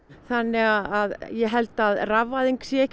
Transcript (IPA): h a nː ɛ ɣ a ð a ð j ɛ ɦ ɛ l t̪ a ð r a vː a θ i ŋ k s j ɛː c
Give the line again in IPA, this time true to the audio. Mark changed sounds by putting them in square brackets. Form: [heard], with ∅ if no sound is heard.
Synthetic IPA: [θ] a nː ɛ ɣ a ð a ð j ɛ ɦ ɛ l t̪ a ð r a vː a [ð] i ŋ k s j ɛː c

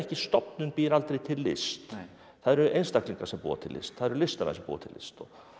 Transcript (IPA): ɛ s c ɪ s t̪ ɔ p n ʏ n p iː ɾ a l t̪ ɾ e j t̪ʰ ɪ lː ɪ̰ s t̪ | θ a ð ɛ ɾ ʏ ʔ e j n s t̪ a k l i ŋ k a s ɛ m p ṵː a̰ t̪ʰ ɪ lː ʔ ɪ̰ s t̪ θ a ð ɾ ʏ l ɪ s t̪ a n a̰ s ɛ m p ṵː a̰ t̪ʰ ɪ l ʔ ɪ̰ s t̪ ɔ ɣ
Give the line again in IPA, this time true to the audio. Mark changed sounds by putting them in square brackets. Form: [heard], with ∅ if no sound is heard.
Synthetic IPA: ɛ [h] c ɪ s t̪ ɔ p n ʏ n p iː ɾ a l t̪ ɾ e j t̪ʰ ɪ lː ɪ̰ s t̪ | θ a ð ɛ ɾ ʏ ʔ e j n s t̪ a k l i ŋ k a s ɛ m p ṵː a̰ t̪ʰ ɪ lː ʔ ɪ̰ s t̪ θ a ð ɾ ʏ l ɪ s t̪ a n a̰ s ɛ m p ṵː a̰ t̪ʰ ɪ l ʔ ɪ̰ s t̪ ɔ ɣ

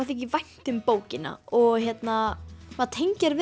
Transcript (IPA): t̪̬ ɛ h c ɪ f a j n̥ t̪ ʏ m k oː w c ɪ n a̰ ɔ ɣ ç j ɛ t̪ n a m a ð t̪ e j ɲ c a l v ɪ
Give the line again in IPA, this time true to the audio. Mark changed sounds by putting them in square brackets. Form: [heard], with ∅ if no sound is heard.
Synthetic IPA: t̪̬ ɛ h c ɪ [v] a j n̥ t̪ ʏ m [p] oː w c ɪ n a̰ ɔ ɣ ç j ɛ t̪ n a m a ð [t̪ʰ] e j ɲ c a [ɾ] v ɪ

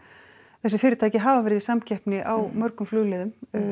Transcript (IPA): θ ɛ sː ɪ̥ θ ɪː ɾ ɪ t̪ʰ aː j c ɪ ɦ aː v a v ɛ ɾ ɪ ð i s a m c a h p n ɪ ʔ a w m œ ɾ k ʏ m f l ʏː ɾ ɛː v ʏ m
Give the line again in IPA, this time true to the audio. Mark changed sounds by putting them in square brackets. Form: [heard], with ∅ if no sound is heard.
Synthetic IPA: θ ɛ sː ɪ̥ [f] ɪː ɾ ɪ t̪ʰ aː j c ɪ ɦ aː v a v ɛ ɾ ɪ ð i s a m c [ɛ] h p n ɪ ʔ a w m œ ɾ k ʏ m f l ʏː [l] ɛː [ð] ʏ m

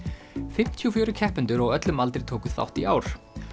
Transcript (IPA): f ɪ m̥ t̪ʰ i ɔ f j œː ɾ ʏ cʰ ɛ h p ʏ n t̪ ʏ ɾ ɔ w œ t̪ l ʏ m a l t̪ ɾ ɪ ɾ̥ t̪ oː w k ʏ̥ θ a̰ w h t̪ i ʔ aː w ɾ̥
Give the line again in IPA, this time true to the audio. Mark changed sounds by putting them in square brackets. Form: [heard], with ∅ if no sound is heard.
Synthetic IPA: f ɪ m̥ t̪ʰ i ɔ f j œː ɾ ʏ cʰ ɛ h p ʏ n t̪ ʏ ɾ ɔ [ɣ] œ t̪ l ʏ m a l t̪ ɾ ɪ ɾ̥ [t̪ʰ] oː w k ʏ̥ θ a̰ w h t̪ i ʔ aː w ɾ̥

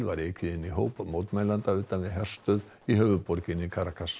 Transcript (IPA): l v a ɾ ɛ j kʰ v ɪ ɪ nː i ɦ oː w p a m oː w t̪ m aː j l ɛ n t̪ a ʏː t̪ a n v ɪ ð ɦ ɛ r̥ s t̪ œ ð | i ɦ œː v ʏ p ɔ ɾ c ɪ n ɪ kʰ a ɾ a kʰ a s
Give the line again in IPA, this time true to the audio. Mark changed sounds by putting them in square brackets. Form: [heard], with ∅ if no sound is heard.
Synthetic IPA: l v a ɾ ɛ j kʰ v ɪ ɪ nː i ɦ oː w p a m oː w t̪ m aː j l [a] n t̪ a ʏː t̪ a n v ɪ ð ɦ ɛ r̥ s t̪ œ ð | i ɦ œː v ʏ p ɔ ɾ c ɪ n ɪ kʰ a ɾ a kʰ a s

